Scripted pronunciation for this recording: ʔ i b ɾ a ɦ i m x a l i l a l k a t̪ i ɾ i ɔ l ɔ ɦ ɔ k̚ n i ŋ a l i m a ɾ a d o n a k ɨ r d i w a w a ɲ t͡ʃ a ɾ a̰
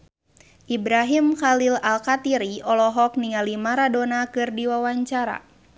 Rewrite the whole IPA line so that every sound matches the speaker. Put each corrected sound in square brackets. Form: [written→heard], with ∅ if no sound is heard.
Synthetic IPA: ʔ i b ɾ a ɦ i m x a l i l a l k a t̪ i ɾ i ɔ l ɔ ɦ ɔ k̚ n i ŋ a l i m a ɾ a d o n a k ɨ r d i w a w a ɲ t͡ʃ a ɾ a̰